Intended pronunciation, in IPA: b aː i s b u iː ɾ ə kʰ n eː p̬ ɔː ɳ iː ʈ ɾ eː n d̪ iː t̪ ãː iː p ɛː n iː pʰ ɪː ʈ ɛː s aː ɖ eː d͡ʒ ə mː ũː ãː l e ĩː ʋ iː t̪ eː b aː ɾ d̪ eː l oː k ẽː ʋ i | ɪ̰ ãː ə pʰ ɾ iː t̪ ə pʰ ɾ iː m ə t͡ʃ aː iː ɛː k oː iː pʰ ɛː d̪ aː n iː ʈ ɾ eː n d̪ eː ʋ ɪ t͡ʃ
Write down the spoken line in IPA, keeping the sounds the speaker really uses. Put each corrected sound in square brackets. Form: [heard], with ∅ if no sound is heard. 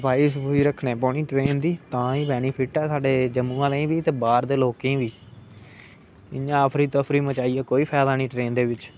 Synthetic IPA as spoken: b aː i s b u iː ɾ ə kʰ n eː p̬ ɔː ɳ iː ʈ ɾ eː n d̪ iː t̪ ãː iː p ɛː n iː pʰ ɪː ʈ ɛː s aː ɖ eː d͡ʒ ə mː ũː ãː l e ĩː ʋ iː t̪ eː b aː ɾ d̪ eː l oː k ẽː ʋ [iː] | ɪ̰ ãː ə pʰ ɾ iː t̪ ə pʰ ɾ iː m ə t͡ʃ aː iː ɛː k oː iː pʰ ɛː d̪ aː n iː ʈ ɾ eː n d̪ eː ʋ ɪ t͡ʃ